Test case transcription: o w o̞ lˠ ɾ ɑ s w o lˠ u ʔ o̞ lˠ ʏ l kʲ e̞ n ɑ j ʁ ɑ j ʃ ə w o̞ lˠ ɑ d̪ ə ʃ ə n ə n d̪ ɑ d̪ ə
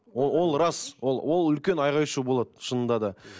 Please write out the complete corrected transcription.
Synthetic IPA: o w o̞ lˠ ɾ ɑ s w o lˠ w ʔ o̞ lˠ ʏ l kʲ e̞ n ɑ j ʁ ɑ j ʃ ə b o̞ lˠ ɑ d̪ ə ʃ ə n ə n d̪ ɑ d̪ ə

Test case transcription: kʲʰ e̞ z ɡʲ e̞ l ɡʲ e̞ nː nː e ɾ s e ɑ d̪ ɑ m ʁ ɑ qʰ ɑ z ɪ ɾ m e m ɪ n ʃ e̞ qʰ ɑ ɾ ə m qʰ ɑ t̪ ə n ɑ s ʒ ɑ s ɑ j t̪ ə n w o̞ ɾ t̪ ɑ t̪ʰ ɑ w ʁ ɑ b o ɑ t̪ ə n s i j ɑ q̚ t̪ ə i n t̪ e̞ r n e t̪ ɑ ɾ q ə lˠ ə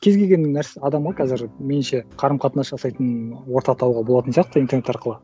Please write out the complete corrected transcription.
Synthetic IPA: kʲʰ e̞ z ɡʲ e̞ l ɡʲ e̞ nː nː æ ɾ s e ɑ d̪ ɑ m ʁ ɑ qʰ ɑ z ɪ ɾ m e n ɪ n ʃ e̞ qʰ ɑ ɾ ə m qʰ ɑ t̪ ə n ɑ s ʒ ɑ s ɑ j t̪ ə n w o̞ ɾ t̪ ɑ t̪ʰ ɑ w ʁ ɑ b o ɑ t̪ ə n s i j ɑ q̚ t̪ ə i n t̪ e̞ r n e t̪ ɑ ɾ q ə lˠ ə

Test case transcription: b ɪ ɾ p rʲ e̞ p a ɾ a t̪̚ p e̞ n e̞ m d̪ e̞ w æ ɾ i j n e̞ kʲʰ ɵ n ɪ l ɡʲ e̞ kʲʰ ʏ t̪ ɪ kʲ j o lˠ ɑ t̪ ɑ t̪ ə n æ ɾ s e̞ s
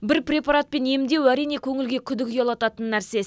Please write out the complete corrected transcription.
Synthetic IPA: b ɪ ɾ p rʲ e̞ p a ɾ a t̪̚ p e̞ n e̞ m d̪ e̞ w æ ɾ i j n e̞ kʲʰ ɵ ŋ ɪ l ɡʲ e̞ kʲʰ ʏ d̪ ɪ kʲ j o lˠ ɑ t̪ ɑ t̪ ə nː æ ɾ s e̞ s

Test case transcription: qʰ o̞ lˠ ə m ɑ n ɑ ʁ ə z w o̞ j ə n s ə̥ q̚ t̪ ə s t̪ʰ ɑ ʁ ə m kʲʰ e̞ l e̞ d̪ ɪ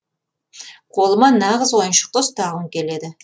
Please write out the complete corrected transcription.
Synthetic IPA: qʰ o̞ lˠ ə m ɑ n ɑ ʁ ə z w o̞ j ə n ʃ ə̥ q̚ t̪ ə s t̪ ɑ ʁ ə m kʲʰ e̞ l e̞ d̪ ɪ

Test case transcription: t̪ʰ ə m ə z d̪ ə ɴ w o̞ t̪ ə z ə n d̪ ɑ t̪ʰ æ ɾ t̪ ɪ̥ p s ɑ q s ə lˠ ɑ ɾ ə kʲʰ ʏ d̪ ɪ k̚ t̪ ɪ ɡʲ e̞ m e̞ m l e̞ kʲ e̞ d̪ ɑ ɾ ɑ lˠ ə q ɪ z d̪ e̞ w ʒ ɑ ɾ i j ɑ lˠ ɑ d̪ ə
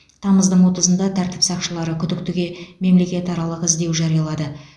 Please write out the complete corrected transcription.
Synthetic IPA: t̪ʰ ɑ m ə z d̪ ə ɴ w o̞ t̪ ə z ə n d̪ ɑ t̪ʰ æ ɾ t̪ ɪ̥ p s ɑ q ʃ ə lˠ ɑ ɾ ə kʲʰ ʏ d̪ ɪ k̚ t̪ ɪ ɡʲ e̞ m e̞ m l e̞ kʲ e̞ t̪ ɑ ɾ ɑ lˠ ə q ɪ z d̪ e̞ w ʒ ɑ ɾ i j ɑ lˠ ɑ d̪ ə

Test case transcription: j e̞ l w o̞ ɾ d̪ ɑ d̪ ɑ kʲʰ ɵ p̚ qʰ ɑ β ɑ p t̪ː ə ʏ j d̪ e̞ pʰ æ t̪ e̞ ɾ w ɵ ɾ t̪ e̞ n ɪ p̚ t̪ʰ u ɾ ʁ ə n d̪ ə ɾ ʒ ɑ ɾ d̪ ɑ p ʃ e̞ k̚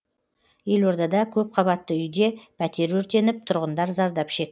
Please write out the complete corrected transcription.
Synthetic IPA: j e̞ l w o̞ ɾ d̪ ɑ d̪ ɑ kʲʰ ɵ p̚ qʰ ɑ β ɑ t̪ː ə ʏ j d̪ e̞ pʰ æ t̪ e̞ ɾ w ɵ ɾ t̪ e̞ n ɪ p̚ t̪ʰ ʊ ɾ ʁ ə n d̪ ɑ ɾ z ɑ ɾ d̪ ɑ p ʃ e̞ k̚

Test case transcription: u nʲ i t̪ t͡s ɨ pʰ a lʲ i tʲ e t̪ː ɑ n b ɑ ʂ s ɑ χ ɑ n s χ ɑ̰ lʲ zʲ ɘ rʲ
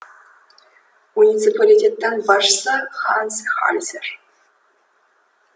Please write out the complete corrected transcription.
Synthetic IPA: u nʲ i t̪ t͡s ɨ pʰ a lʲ i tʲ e t̪ː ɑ n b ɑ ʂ s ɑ χ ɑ n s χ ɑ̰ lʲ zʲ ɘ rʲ

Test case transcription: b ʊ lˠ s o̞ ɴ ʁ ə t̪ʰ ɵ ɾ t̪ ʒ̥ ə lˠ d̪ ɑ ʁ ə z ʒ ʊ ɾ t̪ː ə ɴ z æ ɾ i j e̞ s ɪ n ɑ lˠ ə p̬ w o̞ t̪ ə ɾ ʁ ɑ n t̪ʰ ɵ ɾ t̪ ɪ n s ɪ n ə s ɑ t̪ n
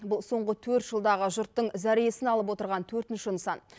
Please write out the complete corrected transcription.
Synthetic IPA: b ʊ lˠ s o̞ ɴ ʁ ə t̪ʰ ɵ ɾ t̪ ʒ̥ ə lˠ d̪ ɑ ʁ ə ʒ ʊ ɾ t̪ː ə ɴ z æ ɾ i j e̞ s ɪ n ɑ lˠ ə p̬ w o̞ t̪ ə ɾ ʁ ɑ n t̪ʰ ɵ ɾ t̪ ɪ n ʃ ɪ n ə s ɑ n

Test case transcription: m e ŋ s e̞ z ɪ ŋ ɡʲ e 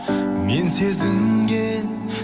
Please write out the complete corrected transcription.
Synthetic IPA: m e n s e̞ z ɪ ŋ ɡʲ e

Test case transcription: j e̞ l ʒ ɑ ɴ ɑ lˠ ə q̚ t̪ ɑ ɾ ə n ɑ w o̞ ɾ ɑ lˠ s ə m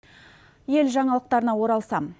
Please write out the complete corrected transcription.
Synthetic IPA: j e̞ l ʒ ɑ ɴ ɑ lˠ ə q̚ t̪ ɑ ɾ ə n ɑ w o̞ ɾ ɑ lˠ s ɑ m

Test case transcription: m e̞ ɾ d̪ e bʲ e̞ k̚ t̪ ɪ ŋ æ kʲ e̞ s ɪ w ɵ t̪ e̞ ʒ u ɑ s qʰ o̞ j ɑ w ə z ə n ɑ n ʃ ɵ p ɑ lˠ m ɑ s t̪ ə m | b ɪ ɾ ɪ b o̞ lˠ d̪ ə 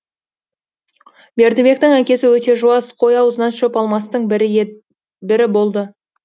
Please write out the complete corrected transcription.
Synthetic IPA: b e̞ ɾ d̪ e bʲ e̞ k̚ t̪ ɪ ŋ æ kʲ e̞ s ɪ w ɵ t̪ e̞ ʒ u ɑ s qʰ o̞ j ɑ w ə z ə n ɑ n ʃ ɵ p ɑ lˠ m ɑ s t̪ ə ɴ | b ɪ ɾ ɪ b o̞ lˠ d̪ ə

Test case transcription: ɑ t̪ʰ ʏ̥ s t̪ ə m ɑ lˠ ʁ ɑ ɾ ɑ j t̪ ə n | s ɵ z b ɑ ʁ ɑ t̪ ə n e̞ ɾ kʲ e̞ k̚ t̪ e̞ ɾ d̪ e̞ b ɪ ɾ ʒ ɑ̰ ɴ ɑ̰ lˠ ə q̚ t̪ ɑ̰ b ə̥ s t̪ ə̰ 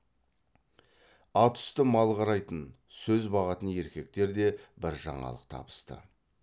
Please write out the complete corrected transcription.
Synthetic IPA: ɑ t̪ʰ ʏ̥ s t̪ ə m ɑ lˠ ʁ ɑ ɾ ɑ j t̪ ə n | s ɵ z b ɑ ʁ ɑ t̪ ə n e̞ ɾ kʲ e̞ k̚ t̪ e̞ ɾ d̪ e̞ b ɪ ɾ ʒ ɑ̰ ɴ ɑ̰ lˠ ə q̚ t̪ʰ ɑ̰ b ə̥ s t̪ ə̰

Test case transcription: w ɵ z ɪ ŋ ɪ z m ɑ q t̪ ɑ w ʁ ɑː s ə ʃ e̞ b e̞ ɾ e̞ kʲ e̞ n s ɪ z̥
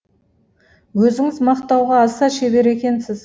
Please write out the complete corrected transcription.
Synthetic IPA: w ɵ z ɪ ŋ ɪ z m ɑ q t̪ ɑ w ʁ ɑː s ɑ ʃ e̞ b e̞ ɾ e̞ kʲ e̞ n s ɪ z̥

